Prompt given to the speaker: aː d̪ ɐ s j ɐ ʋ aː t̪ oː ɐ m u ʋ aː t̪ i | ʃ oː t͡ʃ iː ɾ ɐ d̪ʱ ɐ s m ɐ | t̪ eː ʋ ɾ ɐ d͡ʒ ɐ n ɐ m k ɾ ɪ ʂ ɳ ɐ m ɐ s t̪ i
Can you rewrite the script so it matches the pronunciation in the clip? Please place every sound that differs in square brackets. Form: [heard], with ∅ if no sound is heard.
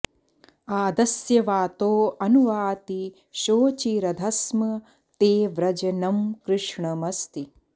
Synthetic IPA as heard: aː d̪ ɐ s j ɐ ʋ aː t̪ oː ɐ [n] u ʋ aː t̪ i | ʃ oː t͡ʃ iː ɾ ɐ d̪ʱ ɐ s m ɐ | t̪ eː ʋ ɾ ɐ d͡ʒ ɐ n ɐ m k ɾ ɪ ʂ ɳ ɐ m ɐ s t̪ i